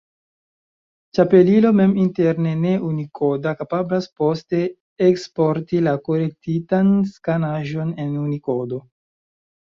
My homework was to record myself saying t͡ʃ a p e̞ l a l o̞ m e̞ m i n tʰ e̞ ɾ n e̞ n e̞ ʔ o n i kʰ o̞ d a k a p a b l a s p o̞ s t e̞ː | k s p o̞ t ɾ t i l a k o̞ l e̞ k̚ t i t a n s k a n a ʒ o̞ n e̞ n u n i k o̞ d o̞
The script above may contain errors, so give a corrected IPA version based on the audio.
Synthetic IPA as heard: t͡ʃ a p e̞ l i l o̞ m e̞ m i n t e̞ ɾ n e̞ n e̞ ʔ u n i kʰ o̞ d a k a p a b l a s p o̞ s t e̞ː | k s p o̞ ɾ t i l a k o̞ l e̞ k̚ t i t a n s k a n a ʒ o̞ n e̞ n u n i k o̞ d o̞